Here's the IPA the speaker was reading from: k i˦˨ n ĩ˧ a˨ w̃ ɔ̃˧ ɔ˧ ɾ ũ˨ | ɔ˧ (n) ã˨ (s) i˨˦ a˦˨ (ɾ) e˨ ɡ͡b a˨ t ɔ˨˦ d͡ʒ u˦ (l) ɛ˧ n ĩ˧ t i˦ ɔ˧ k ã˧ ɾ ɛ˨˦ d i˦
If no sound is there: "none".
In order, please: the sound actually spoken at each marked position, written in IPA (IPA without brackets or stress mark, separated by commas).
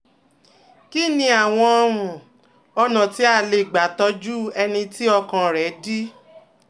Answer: n, t, l, none